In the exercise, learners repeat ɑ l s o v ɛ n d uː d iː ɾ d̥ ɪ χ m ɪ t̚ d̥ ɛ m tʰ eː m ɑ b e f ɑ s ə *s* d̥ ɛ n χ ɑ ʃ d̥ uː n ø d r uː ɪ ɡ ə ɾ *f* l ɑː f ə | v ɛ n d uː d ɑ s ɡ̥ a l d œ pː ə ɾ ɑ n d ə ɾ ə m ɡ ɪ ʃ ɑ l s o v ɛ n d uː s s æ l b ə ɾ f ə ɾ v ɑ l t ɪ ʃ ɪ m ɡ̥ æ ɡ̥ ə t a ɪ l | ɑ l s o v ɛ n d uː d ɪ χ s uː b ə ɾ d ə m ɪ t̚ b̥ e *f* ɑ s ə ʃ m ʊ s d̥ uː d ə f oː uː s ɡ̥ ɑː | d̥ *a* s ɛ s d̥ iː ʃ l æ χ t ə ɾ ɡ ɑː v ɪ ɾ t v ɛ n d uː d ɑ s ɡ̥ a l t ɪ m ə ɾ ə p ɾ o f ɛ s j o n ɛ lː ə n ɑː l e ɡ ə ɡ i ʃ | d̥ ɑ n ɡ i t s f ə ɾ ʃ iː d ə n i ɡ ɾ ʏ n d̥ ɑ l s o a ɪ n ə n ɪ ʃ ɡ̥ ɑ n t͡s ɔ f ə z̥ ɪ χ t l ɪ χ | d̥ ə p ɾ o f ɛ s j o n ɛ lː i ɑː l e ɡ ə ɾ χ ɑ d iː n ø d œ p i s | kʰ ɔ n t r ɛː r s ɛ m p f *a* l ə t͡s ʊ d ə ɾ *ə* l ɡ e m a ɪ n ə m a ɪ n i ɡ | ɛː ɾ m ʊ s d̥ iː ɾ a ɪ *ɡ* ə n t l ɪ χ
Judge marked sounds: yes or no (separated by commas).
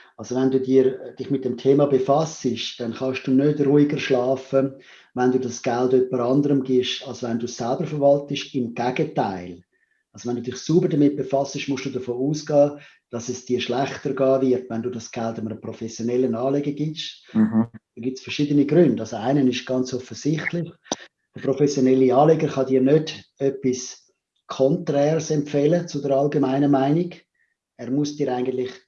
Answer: no, no, yes, no, no, no, yes